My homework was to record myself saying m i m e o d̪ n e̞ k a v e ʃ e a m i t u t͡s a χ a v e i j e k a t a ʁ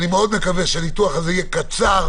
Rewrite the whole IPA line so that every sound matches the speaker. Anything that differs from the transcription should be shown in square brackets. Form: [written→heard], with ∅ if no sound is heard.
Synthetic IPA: [m→n] i m e o d̪ [n→m] e̞ k a v e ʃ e a [m→n] i t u [t͡s→∅] a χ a [v→z] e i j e k a [t→t͡s] a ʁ

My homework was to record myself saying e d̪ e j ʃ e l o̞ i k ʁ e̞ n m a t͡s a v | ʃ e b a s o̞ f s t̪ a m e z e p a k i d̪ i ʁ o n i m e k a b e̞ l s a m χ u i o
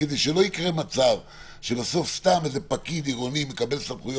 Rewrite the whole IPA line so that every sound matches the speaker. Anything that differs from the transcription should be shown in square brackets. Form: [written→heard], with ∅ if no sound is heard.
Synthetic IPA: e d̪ e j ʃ e l o̞ i k ʁ e̞ [n→∅] m a t͡s a v | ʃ e b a s o̞ f s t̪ a m e z e p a k i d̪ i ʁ o n i m e k a b e̞ l s a m χ u [i→j] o

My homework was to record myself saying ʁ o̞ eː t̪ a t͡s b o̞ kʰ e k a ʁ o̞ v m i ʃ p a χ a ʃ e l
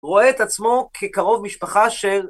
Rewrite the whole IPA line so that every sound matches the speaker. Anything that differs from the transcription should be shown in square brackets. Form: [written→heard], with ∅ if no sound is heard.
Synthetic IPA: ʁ o̞ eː t̪ a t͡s [b→m] o̞ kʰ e k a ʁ o̞ v m i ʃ p a χ a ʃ e l

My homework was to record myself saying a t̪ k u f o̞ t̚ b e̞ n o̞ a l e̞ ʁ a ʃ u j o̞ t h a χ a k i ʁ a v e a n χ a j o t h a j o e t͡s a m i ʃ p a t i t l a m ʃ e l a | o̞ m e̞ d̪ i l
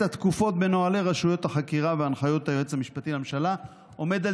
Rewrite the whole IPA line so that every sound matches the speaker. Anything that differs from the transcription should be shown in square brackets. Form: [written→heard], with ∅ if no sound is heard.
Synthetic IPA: a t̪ k u f o̞ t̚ b e̞ n o̞ a l e̞ ʁ a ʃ u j o̞ t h a χ a k i ʁ a v e a n χ a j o t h a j o e t͡s a m i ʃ p a t i [t→∅] l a m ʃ [e→a] l a | o̞ m e̞ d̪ [i→a] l

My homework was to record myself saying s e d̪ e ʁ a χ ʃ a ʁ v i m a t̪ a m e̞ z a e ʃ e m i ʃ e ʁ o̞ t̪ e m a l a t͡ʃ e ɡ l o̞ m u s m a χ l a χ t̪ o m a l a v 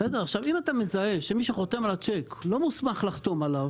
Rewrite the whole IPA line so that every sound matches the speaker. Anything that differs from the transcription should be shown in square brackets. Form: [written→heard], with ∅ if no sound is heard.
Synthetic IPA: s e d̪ e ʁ a χ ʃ a [ʁ→∅] v i m a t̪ a m e̞ z a e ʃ e m i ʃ e [ʁ→χ] o̞ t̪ e m a l a t͡ʃ e [ɡ→k] l o̞ m u s m a χ l a χ t̪ o m a l a v

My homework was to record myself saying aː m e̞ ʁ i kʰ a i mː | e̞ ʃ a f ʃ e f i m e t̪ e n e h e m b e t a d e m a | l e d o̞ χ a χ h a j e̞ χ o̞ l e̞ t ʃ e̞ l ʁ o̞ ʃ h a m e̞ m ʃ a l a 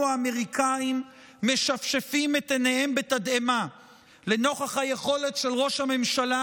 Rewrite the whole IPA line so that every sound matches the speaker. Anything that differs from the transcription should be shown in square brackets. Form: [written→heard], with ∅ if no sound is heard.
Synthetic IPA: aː m e̞ ʁ i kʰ a i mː | e̞ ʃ a f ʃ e f i m e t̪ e n e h e m b e t a d e m a | l e [d→n] o̞ χ a χ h a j e̞ χ o̞ l e̞ t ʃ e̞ l ʁ o̞ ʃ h a m e̞ m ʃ a l a

